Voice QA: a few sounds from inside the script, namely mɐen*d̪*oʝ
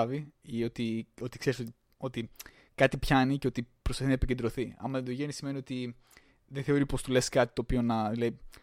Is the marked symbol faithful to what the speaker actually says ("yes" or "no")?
yes